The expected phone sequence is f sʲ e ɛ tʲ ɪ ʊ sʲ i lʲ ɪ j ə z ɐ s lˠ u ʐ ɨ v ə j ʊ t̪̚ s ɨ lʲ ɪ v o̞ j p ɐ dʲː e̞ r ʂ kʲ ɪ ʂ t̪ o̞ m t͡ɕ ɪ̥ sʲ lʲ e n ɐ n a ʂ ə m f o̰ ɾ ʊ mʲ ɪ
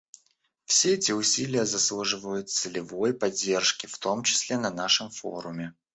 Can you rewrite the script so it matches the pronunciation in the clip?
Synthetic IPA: f sʲ e ɛ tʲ ɪ ʊ sʲ i lʲ ɪ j ə z ɐ s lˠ u ʐ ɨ v ə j ʊ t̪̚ s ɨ lʲ ɪ v o̞ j p ɐ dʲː e̞ r ʂ kʲ ɪ f t̪ o̞ m t͡ɕ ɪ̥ sʲ lʲ e n ɐ n a ʂ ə m f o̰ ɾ ʊ mʲ ɪ